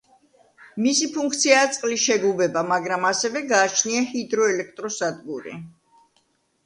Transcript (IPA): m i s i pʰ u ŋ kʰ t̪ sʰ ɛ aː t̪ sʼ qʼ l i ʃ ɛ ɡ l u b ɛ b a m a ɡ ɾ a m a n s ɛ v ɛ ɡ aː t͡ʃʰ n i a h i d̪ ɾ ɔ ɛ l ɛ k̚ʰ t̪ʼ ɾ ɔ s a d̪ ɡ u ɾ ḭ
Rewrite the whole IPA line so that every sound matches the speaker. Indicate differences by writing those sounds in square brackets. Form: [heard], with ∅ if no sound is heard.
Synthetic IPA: m i s i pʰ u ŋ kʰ t̪ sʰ [i] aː t̪ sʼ qʼ l i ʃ ɛ ɡ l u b ɛ b a m a ɡ ɾ a m a [∅] s ɛ v ɛ ɡ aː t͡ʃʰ n i a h i d̪ ɾ ɔ ɛ l ɛ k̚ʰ t̪ʼ ɾ ɔ s a d̪ ɡ u ɾ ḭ